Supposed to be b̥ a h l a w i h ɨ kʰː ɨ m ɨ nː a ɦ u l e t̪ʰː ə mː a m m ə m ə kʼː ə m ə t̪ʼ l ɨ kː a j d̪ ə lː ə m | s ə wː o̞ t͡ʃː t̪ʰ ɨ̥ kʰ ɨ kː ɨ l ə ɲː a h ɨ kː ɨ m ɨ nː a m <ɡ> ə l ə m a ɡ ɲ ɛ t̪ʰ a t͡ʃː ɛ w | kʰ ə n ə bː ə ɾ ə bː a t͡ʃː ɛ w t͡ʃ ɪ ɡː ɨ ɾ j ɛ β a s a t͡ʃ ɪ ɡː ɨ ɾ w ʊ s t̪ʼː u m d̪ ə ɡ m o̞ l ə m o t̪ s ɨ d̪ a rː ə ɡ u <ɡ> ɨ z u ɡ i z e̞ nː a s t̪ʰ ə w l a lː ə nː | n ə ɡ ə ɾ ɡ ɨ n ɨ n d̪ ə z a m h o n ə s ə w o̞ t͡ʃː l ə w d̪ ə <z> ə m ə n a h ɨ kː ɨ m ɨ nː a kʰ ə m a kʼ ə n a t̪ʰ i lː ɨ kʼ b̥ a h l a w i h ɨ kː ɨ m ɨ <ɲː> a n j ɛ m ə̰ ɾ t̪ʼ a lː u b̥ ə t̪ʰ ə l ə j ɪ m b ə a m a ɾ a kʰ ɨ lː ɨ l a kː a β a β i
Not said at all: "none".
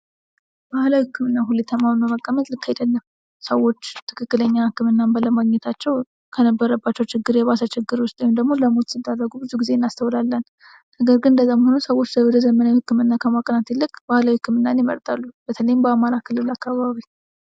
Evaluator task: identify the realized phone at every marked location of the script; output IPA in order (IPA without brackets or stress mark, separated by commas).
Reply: b, b, z, nː